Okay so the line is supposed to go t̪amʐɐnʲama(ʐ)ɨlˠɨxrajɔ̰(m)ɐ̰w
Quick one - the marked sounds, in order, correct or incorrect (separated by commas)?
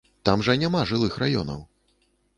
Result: correct, incorrect